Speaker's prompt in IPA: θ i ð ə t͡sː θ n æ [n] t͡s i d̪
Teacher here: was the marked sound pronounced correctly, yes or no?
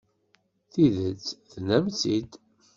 no